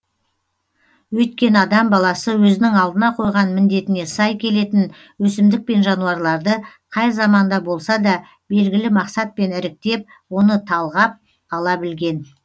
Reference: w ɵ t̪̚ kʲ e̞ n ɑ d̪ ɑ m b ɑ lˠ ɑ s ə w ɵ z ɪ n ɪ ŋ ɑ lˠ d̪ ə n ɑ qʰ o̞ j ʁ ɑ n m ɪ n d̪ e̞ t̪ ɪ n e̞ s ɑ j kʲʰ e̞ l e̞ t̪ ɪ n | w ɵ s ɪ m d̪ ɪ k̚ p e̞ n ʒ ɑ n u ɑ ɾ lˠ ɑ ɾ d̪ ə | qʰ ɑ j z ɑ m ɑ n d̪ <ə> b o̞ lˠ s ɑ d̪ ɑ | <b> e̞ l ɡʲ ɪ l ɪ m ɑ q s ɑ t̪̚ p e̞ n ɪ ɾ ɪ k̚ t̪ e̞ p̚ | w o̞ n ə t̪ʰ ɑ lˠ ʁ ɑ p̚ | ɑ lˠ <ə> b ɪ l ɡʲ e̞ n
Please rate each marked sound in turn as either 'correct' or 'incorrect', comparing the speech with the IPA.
incorrect: ɑ, correct, incorrect: ɑ

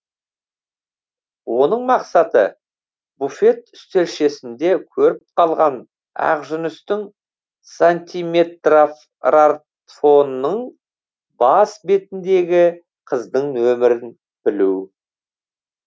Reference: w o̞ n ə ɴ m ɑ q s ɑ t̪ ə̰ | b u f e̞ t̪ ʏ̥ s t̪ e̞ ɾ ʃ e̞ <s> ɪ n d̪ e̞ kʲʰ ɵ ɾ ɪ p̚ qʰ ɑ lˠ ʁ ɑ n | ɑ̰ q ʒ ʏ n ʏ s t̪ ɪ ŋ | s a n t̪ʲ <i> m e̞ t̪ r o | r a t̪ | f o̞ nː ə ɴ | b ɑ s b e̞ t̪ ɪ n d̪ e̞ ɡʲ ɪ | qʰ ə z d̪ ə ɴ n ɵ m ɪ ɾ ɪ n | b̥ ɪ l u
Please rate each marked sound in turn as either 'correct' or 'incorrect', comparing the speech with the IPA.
correct, correct

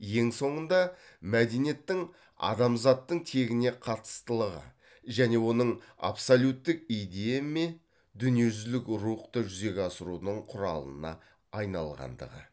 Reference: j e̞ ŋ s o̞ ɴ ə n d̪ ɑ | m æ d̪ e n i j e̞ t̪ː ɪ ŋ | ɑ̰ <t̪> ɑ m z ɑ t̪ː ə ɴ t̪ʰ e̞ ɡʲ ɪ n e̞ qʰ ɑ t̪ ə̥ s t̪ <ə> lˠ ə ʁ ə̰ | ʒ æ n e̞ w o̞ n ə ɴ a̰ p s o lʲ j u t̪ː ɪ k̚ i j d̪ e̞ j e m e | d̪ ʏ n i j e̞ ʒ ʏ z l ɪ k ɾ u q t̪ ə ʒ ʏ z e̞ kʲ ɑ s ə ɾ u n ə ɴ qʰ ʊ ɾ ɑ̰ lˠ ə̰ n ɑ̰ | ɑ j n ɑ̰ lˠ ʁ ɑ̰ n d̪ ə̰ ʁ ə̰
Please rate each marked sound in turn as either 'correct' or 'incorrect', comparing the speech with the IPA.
incorrect: d̪, correct

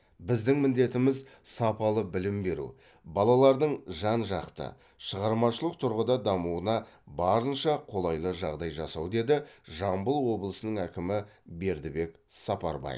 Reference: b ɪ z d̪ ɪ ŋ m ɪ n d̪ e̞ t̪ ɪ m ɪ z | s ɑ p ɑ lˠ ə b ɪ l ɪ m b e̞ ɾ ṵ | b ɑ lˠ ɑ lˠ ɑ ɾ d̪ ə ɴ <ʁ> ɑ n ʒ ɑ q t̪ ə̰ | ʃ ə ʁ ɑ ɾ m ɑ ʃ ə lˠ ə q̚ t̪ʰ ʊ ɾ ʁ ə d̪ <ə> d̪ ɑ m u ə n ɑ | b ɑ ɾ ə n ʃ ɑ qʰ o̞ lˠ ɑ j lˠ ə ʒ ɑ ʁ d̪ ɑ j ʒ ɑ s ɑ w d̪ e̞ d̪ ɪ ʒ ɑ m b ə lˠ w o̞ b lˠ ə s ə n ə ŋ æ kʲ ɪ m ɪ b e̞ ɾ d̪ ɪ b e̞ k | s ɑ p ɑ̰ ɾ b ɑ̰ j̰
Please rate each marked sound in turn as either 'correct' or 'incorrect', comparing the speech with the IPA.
incorrect: ʒ, incorrect: ɑ

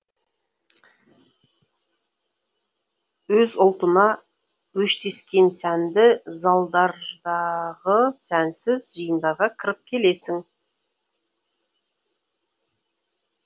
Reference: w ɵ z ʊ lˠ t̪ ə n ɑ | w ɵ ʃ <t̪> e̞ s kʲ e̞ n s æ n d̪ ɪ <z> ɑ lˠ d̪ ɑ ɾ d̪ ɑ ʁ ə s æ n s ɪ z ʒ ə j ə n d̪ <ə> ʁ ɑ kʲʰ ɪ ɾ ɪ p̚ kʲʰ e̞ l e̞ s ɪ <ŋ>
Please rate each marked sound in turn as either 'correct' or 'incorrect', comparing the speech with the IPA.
correct, correct, incorrect: ɑ, correct

